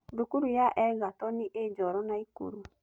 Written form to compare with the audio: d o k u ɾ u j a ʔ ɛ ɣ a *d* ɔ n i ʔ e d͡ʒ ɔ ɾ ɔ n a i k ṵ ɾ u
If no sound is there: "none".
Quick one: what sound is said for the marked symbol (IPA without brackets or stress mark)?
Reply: t